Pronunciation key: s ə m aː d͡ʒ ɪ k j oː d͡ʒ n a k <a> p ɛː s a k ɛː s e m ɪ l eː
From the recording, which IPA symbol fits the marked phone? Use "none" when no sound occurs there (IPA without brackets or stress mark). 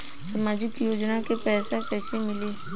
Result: e